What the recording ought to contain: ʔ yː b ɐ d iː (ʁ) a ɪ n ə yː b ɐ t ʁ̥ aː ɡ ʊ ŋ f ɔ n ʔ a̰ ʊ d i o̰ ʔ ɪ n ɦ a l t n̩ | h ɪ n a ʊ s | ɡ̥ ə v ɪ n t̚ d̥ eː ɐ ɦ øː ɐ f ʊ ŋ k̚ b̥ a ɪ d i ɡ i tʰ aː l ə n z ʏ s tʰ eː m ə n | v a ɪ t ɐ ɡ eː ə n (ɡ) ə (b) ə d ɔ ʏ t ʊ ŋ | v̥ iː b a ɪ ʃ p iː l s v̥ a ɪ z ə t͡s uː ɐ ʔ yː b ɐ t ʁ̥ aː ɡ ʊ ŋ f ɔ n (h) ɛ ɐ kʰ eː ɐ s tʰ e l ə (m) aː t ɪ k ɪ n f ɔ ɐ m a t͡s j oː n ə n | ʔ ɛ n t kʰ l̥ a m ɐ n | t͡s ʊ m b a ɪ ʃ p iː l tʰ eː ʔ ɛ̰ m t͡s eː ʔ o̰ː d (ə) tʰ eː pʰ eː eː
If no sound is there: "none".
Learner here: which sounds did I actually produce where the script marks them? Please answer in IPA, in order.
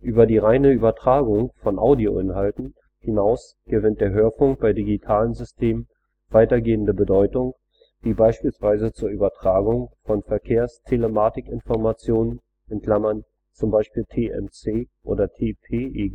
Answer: ʁ, d, b, f, m, ɐ

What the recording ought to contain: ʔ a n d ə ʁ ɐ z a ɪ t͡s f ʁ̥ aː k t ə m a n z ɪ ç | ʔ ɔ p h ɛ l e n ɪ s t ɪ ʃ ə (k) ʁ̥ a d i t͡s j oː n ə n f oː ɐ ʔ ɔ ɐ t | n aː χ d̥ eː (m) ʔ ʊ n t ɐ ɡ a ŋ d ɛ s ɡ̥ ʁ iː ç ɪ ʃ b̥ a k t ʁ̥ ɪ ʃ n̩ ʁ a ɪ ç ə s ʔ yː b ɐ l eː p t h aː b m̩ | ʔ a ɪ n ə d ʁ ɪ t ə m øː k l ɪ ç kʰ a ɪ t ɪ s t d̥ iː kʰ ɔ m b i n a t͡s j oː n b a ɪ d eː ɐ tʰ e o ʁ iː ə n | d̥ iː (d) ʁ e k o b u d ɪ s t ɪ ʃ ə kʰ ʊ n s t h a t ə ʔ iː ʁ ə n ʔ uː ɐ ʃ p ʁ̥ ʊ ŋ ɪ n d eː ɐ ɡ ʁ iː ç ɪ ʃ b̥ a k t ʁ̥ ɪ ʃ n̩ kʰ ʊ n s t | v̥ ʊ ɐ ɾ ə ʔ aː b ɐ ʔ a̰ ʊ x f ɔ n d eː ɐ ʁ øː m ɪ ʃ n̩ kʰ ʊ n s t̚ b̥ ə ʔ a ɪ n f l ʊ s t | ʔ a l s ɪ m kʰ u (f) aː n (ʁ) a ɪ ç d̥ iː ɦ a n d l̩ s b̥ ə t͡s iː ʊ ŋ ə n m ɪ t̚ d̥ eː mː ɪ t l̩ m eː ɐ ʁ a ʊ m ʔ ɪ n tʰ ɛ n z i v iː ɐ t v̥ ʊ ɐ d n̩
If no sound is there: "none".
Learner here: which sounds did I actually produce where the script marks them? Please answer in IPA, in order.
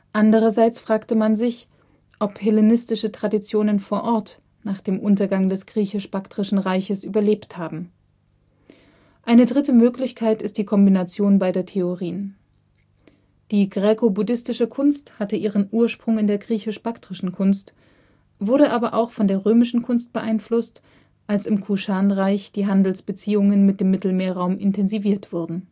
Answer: t, m, ɡ, ʃ, ʁ

